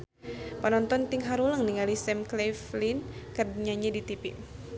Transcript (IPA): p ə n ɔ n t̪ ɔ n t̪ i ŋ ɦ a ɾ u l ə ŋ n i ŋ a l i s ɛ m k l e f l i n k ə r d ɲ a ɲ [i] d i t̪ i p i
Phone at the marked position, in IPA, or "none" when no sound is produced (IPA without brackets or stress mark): a